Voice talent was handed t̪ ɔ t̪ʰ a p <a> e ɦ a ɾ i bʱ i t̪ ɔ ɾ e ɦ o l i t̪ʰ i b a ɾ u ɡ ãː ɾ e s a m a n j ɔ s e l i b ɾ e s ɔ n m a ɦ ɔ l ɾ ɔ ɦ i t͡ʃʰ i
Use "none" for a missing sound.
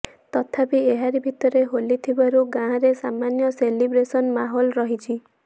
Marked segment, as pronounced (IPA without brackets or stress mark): i